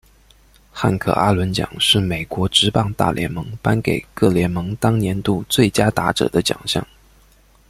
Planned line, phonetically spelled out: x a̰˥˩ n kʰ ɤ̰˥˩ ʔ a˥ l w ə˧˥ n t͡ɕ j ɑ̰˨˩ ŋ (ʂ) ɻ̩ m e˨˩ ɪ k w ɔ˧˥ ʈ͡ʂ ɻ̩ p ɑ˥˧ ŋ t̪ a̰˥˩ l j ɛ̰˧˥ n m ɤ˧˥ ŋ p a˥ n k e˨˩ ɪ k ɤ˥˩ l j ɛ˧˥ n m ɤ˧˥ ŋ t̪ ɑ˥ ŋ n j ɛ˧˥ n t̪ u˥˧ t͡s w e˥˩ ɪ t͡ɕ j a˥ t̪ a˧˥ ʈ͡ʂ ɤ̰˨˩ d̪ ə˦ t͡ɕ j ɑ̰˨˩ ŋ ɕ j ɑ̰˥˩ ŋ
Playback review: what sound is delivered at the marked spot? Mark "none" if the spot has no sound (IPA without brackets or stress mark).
ʂ